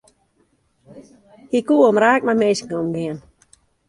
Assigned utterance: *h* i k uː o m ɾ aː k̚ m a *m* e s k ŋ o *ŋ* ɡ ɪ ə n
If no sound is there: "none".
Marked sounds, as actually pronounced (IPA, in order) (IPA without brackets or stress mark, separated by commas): h, m, m